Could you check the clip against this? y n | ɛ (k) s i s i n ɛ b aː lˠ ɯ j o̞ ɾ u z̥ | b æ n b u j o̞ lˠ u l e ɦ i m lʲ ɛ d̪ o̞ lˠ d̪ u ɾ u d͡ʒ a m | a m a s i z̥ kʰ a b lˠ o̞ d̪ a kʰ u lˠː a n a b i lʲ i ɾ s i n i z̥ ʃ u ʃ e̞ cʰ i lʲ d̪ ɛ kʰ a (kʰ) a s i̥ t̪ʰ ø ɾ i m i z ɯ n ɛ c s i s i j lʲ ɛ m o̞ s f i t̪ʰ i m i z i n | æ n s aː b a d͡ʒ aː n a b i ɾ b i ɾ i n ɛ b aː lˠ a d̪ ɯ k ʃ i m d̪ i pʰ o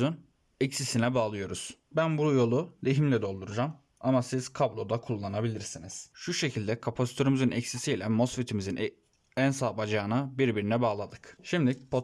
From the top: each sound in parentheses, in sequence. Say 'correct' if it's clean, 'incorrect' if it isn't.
incorrect, incorrect

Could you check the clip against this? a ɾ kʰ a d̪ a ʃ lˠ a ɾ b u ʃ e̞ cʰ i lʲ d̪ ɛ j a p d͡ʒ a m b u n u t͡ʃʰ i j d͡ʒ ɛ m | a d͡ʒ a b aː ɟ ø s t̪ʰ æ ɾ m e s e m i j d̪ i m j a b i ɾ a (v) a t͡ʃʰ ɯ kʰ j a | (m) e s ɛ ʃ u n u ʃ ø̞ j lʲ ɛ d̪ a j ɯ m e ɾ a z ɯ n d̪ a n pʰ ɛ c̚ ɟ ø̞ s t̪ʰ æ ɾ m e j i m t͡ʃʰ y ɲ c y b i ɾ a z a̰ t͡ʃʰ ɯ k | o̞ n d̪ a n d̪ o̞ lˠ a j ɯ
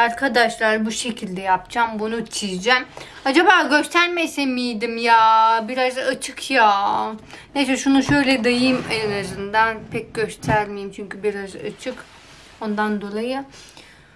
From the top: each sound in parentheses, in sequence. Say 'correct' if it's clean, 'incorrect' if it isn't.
incorrect, incorrect

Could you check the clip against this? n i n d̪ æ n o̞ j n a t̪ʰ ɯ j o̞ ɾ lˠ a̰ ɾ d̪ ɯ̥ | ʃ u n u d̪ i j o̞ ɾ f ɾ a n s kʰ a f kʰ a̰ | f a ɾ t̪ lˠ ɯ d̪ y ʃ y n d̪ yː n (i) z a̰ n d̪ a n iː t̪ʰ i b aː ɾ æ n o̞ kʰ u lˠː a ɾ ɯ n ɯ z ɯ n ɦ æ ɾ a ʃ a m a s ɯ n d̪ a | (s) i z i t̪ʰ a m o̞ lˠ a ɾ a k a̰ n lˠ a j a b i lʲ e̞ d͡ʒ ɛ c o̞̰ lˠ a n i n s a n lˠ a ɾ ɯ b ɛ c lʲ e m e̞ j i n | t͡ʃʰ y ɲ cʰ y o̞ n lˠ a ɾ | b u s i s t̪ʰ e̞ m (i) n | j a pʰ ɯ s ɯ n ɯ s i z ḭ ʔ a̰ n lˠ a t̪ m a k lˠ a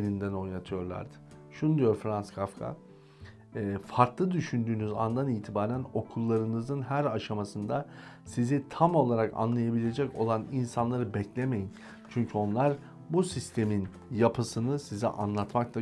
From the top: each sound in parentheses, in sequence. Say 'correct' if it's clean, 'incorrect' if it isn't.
incorrect, correct, correct

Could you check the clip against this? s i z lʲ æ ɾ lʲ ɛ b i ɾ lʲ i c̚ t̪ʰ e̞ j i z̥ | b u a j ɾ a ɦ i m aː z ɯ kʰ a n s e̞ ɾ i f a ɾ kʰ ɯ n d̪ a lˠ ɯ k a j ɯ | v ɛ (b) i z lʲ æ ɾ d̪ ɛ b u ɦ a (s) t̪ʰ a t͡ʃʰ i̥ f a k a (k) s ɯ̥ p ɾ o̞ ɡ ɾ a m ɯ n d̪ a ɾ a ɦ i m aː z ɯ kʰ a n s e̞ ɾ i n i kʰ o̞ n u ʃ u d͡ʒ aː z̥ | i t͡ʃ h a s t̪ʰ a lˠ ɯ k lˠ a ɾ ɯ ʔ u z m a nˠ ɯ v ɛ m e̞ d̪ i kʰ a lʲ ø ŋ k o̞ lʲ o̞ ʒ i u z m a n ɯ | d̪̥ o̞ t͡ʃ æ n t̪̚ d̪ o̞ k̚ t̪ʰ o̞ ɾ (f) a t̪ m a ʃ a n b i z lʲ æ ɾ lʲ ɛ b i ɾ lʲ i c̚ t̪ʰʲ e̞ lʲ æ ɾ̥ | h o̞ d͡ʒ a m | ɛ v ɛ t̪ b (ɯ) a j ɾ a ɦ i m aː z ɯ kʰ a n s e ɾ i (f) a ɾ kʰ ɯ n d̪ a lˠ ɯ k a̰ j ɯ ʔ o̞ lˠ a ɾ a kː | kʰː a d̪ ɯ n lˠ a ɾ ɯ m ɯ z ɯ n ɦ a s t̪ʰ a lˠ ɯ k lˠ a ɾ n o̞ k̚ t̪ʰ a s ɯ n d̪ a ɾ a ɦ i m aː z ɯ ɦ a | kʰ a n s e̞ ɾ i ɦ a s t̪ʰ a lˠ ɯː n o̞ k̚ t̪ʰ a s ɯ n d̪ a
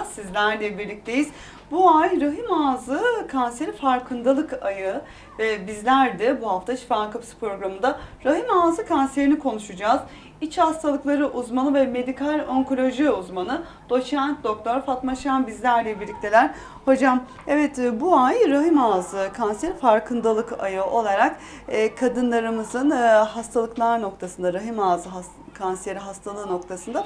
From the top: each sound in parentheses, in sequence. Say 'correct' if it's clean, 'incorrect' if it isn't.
correct, incorrect, incorrect, correct, incorrect, correct

